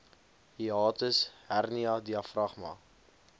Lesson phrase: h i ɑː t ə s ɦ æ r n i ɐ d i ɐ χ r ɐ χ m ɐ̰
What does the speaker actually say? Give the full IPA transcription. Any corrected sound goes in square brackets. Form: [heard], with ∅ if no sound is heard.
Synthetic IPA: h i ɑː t ə s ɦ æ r n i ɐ d i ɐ [f] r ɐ χ m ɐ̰